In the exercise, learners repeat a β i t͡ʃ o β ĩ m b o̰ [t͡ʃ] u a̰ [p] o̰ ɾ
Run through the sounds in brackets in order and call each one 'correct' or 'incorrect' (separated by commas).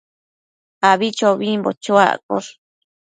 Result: correct, incorrect